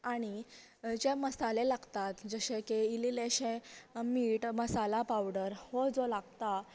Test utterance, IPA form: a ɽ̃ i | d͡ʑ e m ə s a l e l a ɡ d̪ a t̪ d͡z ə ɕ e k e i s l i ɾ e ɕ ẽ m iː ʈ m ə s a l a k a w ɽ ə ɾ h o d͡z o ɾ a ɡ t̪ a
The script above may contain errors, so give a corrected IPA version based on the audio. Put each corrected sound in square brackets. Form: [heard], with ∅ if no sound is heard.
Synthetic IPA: a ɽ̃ i | d͡ʑ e m ə s a l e l a ɡ [t̪] a t̪ d͡z ə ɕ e k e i [∅] l i [l] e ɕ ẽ m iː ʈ m ə s a l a [p] a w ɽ ə ɾ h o d͡z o [l] a ɡ t̪ a